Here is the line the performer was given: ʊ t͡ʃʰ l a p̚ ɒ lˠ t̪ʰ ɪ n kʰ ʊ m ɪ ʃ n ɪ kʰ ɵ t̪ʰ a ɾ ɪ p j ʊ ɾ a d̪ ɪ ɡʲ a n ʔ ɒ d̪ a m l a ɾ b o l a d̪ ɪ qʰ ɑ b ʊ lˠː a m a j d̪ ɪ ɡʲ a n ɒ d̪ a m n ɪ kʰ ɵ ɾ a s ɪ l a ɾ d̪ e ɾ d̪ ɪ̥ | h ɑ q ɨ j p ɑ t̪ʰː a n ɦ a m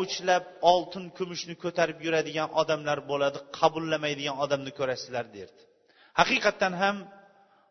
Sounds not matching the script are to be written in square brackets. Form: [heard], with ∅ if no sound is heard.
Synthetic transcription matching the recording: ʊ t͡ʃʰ l a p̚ ɒ lˠ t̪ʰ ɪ n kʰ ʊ m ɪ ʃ n ɪ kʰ ɵ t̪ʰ a ɾ ɪ p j ʊ ɾ a d̪ ɪ ɡʲ a n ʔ ɒ d̪ a m l a ɾ b o l a d̪ ɪ qʰ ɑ b ʊ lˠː a m a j d̪ ɪ ɡʲ a n ɒ d̪ a m n ɪ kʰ ɵ ɾ a s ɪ l a ɾ d̪ e ɾ d̪ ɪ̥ | h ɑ q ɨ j [q] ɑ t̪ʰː a n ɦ a m